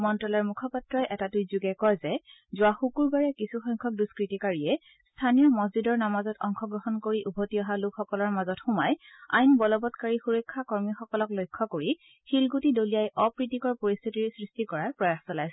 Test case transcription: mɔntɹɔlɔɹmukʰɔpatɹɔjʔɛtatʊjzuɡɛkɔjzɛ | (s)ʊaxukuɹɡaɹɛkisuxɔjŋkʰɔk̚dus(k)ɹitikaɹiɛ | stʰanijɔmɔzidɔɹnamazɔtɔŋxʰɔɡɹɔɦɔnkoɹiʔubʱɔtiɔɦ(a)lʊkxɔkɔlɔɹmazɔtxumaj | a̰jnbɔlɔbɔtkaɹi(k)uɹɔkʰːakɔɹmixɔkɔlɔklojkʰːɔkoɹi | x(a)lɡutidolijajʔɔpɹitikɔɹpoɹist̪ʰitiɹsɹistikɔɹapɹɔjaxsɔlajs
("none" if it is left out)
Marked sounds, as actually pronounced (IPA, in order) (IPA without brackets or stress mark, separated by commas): z, k, a, x, i